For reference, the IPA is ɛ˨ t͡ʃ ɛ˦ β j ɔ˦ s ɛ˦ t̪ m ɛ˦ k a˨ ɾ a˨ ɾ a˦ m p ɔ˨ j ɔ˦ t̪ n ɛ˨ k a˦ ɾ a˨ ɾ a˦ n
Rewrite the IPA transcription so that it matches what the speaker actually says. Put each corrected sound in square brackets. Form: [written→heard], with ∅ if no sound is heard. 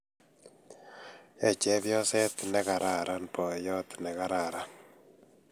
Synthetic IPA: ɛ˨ t͡ʃ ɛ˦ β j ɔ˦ s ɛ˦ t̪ [m→n] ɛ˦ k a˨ ɾ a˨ ɾ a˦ [m→n] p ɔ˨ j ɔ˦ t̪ n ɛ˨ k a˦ ɾ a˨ ɾ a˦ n